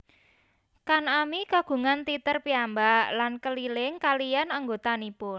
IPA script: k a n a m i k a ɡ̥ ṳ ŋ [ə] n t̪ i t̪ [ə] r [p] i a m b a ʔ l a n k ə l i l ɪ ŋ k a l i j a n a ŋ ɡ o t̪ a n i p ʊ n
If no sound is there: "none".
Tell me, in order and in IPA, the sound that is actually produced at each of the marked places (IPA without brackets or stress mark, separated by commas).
a, ə, p